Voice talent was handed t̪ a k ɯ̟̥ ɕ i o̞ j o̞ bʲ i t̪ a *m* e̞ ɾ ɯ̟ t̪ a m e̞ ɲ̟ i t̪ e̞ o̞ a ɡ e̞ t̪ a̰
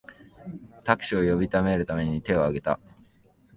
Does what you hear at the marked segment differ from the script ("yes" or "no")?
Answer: no